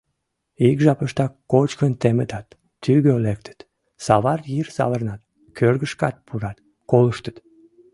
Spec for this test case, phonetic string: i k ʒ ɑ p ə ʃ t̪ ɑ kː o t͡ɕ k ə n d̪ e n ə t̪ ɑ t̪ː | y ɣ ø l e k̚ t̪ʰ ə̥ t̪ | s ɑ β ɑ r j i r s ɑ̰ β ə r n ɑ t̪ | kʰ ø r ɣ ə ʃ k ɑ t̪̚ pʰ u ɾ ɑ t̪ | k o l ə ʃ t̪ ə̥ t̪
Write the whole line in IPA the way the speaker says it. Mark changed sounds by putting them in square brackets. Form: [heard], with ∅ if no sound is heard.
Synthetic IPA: i k ʒ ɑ p ə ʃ t̪ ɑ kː o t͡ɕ k ə n [t̪] e [m] ə t̪ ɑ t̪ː | y ɣ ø l e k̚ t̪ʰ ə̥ t̪ | s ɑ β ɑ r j i r s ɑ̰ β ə r n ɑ t̪ | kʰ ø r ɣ ə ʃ k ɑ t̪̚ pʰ u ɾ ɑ t̪ | k o l ə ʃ t̪ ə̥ t̪